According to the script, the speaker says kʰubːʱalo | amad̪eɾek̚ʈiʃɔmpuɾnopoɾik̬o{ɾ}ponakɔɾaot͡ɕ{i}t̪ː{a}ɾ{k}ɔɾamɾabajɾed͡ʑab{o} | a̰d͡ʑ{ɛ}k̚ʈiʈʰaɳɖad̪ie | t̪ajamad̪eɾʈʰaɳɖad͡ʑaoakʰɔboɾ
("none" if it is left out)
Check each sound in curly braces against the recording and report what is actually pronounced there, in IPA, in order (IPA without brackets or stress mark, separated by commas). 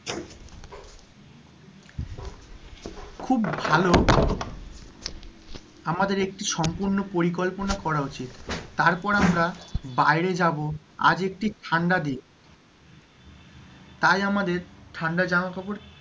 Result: l, i, a, p, o, e